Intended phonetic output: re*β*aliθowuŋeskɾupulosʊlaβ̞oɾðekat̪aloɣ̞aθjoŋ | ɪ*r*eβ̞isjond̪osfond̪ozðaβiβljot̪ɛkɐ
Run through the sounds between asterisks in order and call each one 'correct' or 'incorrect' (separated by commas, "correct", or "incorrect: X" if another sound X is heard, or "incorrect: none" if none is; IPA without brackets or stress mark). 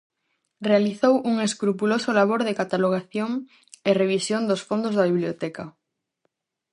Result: incorrect: none, correct